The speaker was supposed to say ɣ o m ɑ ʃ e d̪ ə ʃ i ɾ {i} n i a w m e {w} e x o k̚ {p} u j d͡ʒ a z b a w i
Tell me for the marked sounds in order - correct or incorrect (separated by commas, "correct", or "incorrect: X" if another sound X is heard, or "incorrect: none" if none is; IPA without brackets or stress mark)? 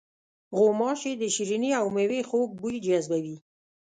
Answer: correct, correct, incorrect: b